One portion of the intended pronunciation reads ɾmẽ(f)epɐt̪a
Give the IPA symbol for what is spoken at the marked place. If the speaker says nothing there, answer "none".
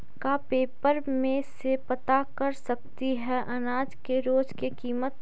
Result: s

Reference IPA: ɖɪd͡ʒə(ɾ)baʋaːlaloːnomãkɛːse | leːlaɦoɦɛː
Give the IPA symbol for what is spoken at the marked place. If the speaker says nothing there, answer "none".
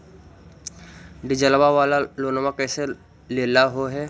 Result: l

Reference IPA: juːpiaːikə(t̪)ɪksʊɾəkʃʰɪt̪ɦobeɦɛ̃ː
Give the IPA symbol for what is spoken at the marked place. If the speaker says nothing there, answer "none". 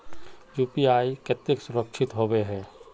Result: t̪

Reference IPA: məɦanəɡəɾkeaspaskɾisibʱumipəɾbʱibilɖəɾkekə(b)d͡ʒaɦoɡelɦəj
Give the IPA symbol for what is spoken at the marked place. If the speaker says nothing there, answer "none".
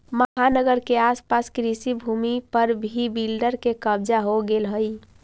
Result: b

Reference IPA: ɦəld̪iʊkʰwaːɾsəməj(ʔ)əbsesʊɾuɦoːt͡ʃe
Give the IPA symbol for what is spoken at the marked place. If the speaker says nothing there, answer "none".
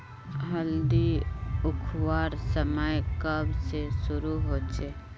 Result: k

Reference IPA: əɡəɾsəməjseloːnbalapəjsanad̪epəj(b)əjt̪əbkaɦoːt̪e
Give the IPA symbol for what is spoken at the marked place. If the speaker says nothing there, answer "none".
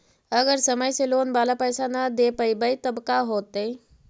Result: b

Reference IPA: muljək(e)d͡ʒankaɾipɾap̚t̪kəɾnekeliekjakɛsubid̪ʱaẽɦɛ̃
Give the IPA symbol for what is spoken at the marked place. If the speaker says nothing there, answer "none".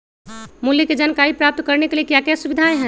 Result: e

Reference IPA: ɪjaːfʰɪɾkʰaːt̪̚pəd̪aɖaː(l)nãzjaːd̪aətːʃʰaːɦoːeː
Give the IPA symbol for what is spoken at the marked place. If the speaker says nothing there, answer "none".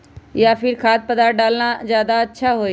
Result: l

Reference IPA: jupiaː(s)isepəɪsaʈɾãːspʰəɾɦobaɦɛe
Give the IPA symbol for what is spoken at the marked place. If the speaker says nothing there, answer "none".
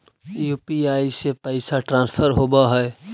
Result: none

